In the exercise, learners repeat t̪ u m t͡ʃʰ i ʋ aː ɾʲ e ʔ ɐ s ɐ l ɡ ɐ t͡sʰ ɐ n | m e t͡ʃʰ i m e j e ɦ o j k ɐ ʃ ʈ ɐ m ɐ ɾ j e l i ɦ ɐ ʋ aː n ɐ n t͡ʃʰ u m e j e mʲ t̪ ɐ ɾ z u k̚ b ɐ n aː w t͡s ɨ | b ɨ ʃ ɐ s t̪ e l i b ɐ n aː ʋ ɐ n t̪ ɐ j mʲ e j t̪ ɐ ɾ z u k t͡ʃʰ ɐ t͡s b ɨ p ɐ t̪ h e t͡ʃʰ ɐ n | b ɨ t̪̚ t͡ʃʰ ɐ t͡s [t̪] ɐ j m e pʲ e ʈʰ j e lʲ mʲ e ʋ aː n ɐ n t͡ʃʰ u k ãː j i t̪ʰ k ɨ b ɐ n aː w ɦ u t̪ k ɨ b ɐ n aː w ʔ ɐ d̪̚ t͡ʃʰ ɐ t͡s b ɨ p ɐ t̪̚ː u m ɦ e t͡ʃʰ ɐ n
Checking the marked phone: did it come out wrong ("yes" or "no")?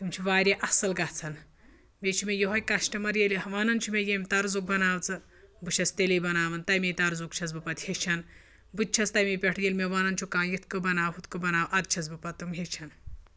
no